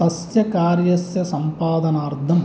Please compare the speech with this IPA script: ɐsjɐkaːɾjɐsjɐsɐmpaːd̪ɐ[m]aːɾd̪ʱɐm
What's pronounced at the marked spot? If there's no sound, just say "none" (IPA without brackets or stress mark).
n